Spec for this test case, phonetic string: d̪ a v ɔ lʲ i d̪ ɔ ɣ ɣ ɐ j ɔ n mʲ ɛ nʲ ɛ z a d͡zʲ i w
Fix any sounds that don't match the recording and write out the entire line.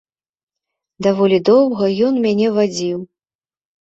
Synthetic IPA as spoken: d̪ a v ɔ lʲ i d̪ ɔ w ɣ ɐ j ɔ n mʲ a nʲ ɛ v a d͡zʲ i w